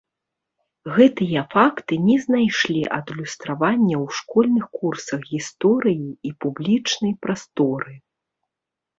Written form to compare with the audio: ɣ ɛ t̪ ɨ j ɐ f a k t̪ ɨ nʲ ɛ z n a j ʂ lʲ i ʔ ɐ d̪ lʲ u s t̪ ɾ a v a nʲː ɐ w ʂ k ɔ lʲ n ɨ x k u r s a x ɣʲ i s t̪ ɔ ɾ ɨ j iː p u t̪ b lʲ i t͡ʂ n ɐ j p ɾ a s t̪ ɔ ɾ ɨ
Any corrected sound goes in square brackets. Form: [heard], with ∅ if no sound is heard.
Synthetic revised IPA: ɣ ɛ t̪ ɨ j ɐ f a k t̪ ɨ nʲ ɛ z n a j ʂ lʲ i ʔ ɐ d̪ lʲ u s t̪ ɾ a v a nʲː ɐ w ʂ k ɔ lʲ n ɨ x k u r s [ɐ] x ɣʲ i s t̪ ɔ ɾ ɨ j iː p u [∅] b lʲ i t͡ʂ n ɐ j p ɾ a s t̪ ɔ ɾ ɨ